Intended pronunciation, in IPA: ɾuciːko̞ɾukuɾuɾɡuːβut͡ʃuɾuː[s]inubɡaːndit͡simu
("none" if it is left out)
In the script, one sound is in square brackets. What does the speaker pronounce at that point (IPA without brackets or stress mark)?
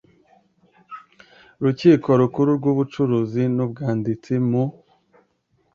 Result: z